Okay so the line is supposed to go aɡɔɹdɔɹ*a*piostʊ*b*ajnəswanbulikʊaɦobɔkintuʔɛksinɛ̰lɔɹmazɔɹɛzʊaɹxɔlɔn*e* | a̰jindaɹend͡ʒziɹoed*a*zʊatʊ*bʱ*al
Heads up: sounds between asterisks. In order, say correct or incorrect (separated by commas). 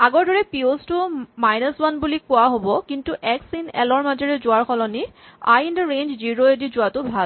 incorrect, incorrect, incorrect, incorrect, correct